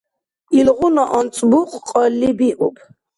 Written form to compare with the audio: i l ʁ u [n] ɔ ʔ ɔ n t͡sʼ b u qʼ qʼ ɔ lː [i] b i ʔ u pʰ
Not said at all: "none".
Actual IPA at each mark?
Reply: n, i

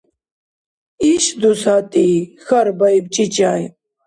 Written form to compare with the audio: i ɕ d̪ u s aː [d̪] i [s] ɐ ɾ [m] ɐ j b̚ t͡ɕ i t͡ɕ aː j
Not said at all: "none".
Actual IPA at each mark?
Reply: t̪, x, b

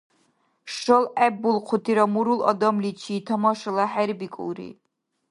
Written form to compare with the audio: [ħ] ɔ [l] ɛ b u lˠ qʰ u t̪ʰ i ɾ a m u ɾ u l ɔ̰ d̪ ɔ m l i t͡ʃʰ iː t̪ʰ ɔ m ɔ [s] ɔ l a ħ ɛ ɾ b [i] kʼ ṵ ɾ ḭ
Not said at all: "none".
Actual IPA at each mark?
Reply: ʃ, l, ʃ, i

